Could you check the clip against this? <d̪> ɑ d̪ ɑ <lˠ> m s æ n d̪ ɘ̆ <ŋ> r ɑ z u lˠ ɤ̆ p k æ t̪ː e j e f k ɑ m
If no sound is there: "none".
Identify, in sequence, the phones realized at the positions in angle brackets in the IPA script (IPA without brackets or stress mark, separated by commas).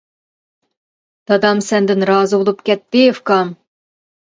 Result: t̪, none, n